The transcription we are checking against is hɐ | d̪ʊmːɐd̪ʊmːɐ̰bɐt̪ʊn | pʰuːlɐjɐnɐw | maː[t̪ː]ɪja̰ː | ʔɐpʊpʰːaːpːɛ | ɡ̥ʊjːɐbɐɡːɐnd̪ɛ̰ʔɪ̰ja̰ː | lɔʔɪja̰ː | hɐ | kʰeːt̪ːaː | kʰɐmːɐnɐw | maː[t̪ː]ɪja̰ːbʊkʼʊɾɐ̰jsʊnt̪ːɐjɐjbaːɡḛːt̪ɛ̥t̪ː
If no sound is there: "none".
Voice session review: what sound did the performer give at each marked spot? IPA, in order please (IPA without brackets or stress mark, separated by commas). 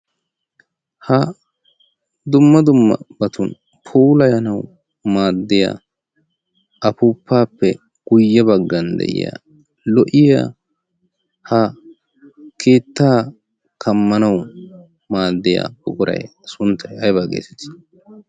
d̪ː, d̪ː